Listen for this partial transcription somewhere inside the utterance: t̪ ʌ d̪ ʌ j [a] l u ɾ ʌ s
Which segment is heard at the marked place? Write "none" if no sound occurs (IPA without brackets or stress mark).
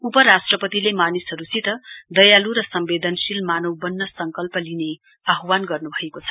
a